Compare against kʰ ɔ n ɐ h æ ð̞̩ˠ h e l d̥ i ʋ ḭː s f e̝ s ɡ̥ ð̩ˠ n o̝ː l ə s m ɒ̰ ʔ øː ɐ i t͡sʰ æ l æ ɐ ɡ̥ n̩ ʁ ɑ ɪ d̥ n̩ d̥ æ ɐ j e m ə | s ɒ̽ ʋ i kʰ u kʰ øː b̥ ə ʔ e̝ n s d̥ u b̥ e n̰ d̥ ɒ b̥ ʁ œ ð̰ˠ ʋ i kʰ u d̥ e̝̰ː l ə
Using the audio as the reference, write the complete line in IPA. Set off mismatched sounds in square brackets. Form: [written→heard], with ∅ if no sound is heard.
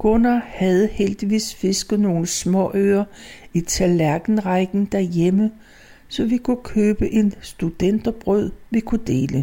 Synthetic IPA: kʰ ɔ n ɐ h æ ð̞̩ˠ h e l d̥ i ʋ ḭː s f e̝ s ɡ̥ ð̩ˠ n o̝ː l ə s m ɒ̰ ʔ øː ɐ i t͡sʰ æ l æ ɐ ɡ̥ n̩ ʁ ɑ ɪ [d̥→ɡ̥] n̩ d̥ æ ɐ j e m ə | s ɒ̽ ʋ i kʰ u kʰ øː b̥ ə ʔ e̝ n s d̥ u [b̥→d̥] e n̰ d̥ ɒ b̥ ʁ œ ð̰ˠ ʋ i kʰ u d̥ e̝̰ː l ə